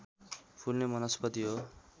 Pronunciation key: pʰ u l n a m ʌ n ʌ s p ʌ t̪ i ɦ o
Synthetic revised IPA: pʰ u l n e m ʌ n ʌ s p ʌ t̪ i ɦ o